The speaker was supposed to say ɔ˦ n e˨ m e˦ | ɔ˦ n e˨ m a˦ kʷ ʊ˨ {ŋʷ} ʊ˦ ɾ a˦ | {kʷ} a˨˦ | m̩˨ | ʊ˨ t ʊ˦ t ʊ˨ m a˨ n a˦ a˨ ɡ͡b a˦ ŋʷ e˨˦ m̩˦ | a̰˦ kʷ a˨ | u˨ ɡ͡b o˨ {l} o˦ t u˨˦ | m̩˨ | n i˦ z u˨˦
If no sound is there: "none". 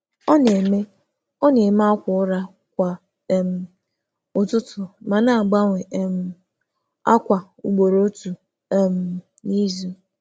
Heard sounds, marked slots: none, kʷ, ɾ

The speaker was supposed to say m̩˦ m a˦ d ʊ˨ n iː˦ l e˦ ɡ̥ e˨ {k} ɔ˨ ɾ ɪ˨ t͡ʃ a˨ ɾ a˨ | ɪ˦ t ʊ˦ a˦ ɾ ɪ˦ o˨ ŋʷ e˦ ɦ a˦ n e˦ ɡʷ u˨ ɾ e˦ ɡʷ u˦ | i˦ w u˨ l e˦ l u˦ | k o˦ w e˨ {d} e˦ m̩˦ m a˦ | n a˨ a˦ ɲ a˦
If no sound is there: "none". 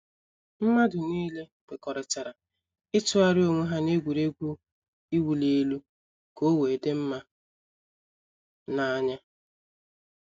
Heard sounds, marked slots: k, d

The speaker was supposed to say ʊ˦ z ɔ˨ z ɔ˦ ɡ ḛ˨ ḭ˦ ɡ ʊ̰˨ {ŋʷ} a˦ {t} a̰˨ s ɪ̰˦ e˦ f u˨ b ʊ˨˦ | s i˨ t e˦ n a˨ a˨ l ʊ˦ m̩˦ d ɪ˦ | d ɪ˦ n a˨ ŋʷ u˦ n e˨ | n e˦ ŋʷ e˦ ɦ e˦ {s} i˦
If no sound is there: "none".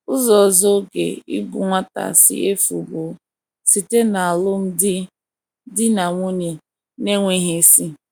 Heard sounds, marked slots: ŋʷ, t, s

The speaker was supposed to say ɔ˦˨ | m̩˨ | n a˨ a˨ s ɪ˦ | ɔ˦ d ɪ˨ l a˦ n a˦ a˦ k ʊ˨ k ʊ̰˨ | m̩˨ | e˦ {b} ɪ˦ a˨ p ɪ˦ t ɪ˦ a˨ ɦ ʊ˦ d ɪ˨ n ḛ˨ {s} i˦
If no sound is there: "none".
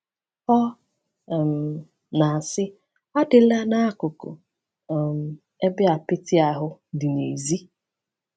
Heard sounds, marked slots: b, z

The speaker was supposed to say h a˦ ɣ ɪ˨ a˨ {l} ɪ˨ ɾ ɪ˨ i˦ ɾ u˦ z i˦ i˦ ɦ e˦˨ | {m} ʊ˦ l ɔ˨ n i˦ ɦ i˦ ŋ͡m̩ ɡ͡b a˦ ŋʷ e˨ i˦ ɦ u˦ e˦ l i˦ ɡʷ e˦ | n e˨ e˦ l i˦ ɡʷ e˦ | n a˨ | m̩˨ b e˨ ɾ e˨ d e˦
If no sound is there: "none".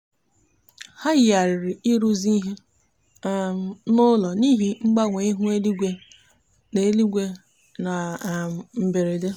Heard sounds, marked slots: ɾ, n

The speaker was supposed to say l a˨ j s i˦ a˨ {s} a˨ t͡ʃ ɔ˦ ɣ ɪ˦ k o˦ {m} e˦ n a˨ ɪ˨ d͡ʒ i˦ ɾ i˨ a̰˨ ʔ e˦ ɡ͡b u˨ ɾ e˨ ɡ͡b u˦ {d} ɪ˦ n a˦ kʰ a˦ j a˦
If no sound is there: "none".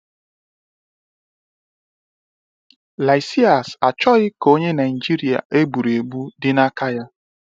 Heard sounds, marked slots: s, ɲ, d

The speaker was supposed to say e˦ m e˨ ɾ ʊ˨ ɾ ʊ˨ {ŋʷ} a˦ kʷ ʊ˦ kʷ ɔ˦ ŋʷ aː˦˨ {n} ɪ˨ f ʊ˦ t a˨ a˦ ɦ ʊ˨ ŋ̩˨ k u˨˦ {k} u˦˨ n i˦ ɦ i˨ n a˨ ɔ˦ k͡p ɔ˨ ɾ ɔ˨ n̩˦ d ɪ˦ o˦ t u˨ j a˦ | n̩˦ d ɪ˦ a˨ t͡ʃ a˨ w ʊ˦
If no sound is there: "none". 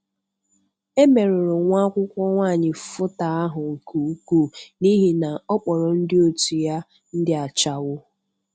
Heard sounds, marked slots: ŋʷ, ɲ, k

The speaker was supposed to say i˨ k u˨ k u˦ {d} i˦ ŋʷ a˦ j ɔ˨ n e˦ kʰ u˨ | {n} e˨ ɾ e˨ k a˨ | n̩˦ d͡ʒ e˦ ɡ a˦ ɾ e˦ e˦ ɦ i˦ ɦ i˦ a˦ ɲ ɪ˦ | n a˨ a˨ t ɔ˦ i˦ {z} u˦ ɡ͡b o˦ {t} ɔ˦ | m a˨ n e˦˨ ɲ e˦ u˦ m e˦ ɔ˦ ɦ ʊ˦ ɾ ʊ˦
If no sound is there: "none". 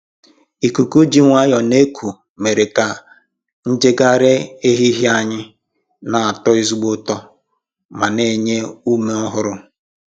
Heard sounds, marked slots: d͡ʒ, m, z, t

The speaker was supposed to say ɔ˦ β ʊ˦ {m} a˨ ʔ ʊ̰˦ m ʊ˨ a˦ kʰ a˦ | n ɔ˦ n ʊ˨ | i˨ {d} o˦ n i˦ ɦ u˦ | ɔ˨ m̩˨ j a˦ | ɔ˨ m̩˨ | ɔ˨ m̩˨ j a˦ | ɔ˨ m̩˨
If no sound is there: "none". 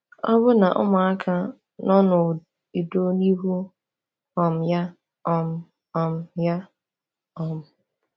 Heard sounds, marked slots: n, d

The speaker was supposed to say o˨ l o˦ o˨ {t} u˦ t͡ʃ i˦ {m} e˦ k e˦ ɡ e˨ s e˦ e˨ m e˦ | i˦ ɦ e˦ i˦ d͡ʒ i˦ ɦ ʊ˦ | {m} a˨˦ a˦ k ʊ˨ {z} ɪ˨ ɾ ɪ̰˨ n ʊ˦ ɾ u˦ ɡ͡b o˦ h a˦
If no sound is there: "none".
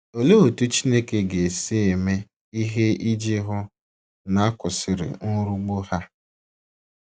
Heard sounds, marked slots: t, n, n, s

